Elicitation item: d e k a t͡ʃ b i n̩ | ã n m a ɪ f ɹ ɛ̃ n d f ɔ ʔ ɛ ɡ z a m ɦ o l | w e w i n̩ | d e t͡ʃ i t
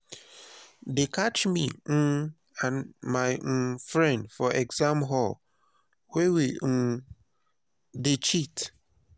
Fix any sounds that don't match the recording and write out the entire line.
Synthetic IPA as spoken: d e k a t͡ʃ m i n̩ | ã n m a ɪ f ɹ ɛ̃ n d f ɔ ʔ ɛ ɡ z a m ɦ ɔ l | w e w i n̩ | d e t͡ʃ i t

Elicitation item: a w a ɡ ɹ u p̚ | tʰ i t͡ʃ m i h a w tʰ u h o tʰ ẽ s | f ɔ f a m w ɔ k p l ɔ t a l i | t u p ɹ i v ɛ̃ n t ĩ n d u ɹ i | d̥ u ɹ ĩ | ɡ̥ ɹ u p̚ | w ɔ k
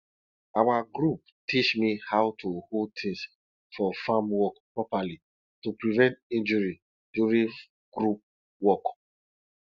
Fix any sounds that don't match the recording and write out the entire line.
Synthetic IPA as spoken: a w a ɡ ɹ u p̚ | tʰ i t͡ʃ m i h a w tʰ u h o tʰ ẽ s | f ɔ f a m w ɔ k p ɹ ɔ p a l i | t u p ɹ i v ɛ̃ n t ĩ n d͡ʒ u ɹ i | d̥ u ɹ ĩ | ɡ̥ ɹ u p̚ | w ɔ k

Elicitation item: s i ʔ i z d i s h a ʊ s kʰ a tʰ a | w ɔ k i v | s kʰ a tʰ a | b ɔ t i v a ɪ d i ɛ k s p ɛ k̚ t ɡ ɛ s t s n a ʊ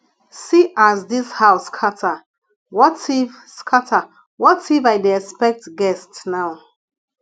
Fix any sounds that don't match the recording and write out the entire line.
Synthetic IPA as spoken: s i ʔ a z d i s h a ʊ s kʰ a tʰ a | w ɔ t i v | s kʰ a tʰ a | w ɔ t i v a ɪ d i ɛ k s p ɛ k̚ t ɡ ɛ s t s n a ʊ

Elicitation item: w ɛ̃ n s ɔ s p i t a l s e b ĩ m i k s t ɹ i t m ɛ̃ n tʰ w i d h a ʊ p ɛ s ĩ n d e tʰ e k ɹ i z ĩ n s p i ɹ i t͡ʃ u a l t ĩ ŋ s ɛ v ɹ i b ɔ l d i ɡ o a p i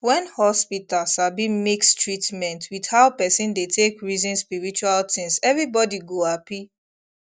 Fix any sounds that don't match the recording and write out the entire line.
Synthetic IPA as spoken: w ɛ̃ n h ɔ s p i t a l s a b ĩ m i k s t ɹ i t m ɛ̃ n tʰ w i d h a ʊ p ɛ s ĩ n d e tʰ e k ɹ i z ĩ n s p i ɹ i t͡ʃ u a l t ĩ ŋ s ɛ v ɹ i b ɔ d i ɡ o a p i

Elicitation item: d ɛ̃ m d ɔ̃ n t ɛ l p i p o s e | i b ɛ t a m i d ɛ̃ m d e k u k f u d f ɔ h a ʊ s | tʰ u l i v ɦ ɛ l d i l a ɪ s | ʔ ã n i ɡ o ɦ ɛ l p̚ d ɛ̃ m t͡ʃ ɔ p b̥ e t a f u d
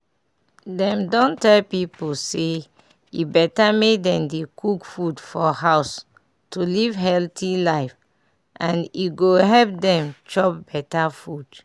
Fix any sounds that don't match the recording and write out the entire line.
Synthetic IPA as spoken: d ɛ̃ m d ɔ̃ n t ɛ l p i p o s e | i b ɛ t a m e d ɛ̃ m d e k u k f u d f ɔ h a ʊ s | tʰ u l i v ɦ ɛ l t i l a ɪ f | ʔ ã n i ɡ o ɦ ɛ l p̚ d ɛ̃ m t͡ʃ ɔ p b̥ ɛ t a f u d

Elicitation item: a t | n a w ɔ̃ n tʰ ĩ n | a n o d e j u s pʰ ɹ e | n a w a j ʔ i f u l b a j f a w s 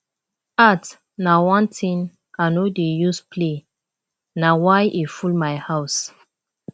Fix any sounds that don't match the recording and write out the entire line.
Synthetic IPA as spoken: a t | n a w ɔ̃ n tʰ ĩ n | a n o d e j u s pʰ l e | n a w a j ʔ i f u l m a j h a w s

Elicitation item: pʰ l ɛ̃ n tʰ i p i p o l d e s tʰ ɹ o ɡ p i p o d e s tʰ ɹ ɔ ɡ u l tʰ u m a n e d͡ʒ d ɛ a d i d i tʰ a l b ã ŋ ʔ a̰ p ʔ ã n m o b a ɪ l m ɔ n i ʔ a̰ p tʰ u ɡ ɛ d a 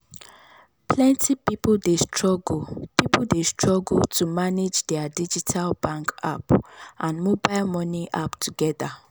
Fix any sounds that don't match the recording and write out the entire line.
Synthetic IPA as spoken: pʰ l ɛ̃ n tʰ i p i p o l d e s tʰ ɹ ɔ ɡ p i p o d e s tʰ ɹ ɔ ɡ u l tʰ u m a n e d͡ʒ d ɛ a d i d͡ʒ i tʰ a l b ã ŋ k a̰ p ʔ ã n m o b a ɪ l m ɔ n i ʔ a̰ p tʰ u ɡ ɛ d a

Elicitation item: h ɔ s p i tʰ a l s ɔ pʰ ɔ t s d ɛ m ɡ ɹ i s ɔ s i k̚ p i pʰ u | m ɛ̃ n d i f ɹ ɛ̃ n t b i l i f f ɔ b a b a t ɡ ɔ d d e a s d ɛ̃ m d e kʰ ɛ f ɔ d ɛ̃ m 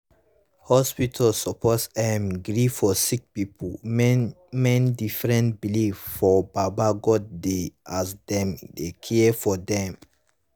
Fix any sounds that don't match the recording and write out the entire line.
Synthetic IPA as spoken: h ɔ s p i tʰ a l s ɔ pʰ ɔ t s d ɛ m ɡ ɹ i f ɔ s i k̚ p i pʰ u | m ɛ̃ n d i f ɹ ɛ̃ n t b i l i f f ɔ b a b a ɡ ɔ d d e a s d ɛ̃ m d e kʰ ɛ f ɔ d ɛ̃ m

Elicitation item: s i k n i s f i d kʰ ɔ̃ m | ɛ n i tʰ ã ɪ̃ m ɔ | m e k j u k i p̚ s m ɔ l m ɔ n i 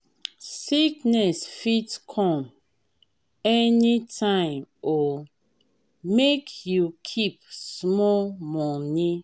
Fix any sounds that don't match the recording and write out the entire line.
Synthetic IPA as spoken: s i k n ɛ s f i t kʰ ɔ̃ m | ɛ n i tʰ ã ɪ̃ m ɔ | m e k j u kʰ i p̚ s m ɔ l m ɔ n i

